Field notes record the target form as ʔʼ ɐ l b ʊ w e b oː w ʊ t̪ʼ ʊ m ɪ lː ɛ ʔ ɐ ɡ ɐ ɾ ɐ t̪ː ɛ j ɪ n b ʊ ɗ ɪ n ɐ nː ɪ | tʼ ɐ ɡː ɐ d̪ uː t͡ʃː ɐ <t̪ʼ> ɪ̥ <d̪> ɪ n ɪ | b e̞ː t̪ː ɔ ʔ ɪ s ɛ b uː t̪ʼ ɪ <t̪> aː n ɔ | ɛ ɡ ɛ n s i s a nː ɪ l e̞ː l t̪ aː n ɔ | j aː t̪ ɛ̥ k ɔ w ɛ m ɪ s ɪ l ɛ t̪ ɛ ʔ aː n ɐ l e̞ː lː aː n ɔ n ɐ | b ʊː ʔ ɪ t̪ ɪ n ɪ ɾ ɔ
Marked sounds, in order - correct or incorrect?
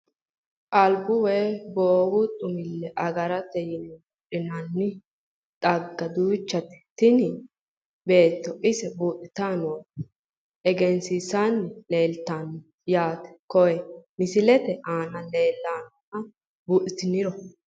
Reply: incorrect, incorrect, correct

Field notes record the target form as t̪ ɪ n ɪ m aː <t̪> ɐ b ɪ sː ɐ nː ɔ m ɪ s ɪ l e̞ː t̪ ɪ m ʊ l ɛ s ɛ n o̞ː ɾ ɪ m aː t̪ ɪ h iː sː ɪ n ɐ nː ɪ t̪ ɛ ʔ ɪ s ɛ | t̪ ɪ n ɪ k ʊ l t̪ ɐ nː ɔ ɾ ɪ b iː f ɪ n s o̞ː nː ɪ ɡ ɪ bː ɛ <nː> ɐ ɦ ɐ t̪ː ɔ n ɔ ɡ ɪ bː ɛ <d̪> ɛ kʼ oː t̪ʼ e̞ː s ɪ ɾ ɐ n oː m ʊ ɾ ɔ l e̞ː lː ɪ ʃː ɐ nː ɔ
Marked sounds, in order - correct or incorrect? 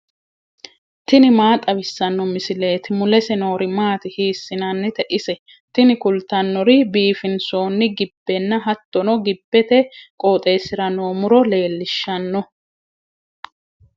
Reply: incorrect, correct, incorrect

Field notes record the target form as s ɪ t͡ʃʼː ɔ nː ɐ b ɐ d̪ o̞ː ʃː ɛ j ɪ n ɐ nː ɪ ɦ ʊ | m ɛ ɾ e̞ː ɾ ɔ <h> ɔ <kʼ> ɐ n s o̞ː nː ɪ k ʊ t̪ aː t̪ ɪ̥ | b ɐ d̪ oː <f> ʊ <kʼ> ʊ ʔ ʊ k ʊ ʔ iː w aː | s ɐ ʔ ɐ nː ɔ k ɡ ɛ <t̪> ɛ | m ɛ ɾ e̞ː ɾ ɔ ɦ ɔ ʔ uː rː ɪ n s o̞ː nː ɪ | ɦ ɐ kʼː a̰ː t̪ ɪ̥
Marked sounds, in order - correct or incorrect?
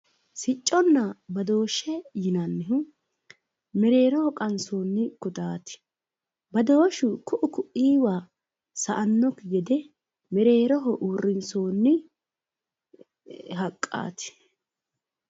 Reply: correct, correct, incorrect, incorrect, incorrect

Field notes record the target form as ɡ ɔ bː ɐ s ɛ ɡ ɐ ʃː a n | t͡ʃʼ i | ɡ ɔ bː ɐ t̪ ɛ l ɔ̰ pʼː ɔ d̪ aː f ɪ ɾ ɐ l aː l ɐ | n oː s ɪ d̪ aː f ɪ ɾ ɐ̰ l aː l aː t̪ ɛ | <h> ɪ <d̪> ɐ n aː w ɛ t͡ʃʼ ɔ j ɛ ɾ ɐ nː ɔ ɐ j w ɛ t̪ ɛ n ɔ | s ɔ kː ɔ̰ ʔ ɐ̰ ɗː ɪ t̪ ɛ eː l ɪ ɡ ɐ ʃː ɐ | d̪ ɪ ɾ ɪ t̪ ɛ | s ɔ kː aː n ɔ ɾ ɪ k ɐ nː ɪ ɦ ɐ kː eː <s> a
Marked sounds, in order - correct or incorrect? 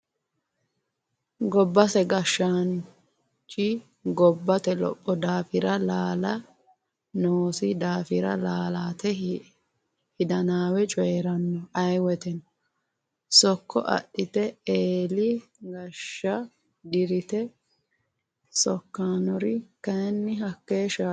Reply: correct, correct, incorrect

